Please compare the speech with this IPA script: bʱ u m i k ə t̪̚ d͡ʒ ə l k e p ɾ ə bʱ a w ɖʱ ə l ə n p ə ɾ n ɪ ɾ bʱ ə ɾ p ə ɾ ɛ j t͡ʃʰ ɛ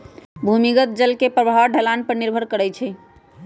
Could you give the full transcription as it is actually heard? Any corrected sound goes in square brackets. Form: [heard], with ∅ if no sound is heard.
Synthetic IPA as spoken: bʱ u m i [ɡ] ə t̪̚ d͡ʒ ə l k e p ɾ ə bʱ a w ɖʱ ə l [a] n p ə ɾ n [i] ɾ bʱ ə ɾ [k] ə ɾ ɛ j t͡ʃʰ ɛ